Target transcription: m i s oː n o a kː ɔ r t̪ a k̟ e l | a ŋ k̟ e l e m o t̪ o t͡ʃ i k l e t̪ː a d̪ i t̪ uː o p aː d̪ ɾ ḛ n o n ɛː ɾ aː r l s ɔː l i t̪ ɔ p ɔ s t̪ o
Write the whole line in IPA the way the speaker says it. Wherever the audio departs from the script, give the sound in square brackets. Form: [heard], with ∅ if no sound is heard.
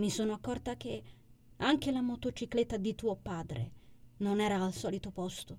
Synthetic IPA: m i s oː n o a kː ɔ r t̪ a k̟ e [∅] | a ŋ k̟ e l [a] m o t̪ o t͡ʃ i k l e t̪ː a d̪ i t̪ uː o p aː d̪ ɾ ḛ n o n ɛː ɾ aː [∅] l s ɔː l i t̪ [o] p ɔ s t̪ o